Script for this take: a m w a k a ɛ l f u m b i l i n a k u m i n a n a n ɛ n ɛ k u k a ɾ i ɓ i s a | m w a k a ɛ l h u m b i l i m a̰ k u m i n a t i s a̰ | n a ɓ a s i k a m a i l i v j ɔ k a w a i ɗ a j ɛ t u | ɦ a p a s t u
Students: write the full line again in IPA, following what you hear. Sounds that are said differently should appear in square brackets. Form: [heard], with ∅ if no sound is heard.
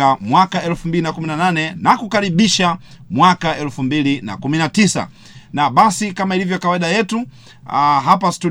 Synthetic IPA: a m w a k a ɛ l f u m b i l i n a k u m i n a n a n ɛ n [a] k u k a ɾ i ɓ i [ʃ] a | m w a k a ɛ l [f] u m b i l i [n] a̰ k u m i n a t i s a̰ | n a ɓ a s i k a m a i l i v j ɔ k a w a i ɗ a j ɛ t u | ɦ a p a s t u